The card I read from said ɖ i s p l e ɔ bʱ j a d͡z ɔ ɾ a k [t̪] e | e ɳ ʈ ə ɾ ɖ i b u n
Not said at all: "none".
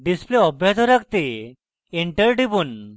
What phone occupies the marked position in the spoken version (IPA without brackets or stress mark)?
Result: t̪